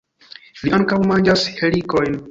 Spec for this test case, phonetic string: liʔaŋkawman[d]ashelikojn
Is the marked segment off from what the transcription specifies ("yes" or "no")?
yes